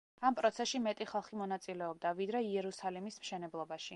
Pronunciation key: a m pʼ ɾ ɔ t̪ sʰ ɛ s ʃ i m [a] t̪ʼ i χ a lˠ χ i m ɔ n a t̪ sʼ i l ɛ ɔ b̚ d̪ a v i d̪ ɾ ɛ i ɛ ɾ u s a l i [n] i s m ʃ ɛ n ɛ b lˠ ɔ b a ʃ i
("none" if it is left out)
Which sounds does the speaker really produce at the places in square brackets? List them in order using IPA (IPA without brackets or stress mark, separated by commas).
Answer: ɛ, m